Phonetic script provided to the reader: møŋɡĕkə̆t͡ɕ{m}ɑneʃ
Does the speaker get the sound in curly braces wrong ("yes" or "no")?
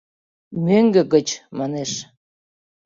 no